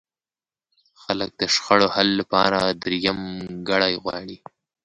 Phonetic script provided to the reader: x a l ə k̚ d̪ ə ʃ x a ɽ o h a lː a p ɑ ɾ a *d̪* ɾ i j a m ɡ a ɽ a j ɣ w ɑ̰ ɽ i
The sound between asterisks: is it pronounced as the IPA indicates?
yes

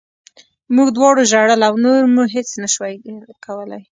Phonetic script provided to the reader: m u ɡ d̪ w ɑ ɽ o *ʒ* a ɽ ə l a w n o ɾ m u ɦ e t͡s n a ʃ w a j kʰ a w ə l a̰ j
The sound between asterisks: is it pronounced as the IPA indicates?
yes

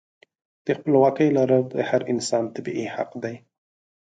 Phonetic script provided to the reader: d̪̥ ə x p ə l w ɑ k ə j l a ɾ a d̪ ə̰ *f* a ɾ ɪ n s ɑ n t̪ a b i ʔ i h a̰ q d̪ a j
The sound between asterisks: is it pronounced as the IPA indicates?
no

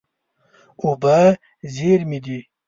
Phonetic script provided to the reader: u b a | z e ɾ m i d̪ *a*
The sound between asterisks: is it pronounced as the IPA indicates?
no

